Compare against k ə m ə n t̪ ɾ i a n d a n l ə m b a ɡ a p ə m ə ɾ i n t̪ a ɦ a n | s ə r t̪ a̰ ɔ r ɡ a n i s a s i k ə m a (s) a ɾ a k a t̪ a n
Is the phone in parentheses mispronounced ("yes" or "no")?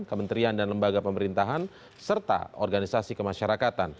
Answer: yes